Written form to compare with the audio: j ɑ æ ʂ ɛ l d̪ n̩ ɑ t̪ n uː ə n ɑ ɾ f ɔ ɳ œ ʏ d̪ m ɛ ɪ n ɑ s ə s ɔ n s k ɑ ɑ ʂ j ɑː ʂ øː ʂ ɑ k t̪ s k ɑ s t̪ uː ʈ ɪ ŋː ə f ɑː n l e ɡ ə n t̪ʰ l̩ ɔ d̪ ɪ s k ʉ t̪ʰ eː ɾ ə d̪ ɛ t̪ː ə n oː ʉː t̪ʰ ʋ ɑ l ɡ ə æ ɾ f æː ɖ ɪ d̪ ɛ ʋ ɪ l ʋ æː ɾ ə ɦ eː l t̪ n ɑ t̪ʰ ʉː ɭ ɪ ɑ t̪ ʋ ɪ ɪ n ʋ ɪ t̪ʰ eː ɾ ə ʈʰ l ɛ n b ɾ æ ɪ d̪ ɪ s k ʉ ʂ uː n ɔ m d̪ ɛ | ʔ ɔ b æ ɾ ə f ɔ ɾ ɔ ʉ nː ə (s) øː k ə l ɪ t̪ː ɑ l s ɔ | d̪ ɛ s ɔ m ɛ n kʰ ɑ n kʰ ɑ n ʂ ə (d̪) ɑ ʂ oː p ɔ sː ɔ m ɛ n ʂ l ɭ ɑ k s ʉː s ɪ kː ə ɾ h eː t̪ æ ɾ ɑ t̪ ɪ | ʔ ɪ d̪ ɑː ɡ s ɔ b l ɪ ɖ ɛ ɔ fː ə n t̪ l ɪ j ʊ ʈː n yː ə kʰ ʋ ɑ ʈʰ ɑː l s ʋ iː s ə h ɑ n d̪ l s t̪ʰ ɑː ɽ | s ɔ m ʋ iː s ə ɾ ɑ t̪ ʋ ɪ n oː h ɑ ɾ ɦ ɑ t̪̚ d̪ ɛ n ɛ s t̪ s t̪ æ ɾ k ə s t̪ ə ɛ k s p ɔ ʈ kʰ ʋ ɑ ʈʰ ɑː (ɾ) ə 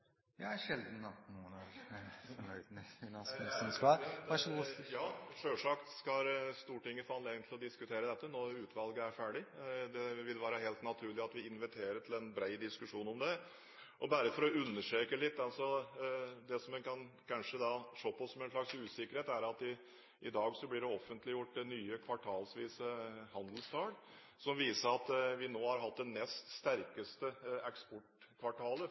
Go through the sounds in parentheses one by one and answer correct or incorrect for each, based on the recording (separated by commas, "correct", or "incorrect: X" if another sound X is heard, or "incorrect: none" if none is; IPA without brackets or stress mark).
incorrect: ʂ, correct, incorrect: l